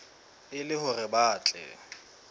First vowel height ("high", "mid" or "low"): high